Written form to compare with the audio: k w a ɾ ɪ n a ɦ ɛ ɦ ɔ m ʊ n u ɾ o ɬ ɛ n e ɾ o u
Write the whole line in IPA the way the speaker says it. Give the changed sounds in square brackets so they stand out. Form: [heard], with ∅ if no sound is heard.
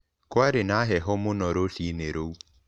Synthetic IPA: k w a ɾ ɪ n a ɦ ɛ ɦ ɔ m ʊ n [ɔ] ɾ o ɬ [i] n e ɾ o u